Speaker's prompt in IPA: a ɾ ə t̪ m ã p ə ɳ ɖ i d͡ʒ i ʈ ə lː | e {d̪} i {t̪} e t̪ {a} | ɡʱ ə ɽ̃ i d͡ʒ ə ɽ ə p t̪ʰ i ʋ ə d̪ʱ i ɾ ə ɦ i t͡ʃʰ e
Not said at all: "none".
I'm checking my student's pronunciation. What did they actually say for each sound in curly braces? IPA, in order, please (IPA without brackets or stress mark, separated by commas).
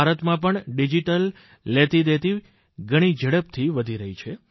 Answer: t̪, d̪, i